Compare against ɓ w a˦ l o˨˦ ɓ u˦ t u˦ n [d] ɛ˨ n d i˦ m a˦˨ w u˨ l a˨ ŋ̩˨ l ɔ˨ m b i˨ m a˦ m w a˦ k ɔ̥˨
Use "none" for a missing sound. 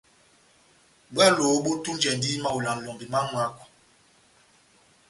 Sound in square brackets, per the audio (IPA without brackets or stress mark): d͡ʒ